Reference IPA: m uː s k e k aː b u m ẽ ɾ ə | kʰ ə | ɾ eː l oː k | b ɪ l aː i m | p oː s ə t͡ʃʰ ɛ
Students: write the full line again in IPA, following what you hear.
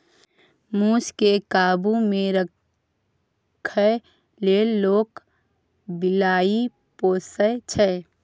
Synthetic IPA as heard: m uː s k e k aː b u m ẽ ɾ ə | kʰ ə | l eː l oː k | b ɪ l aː i | p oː s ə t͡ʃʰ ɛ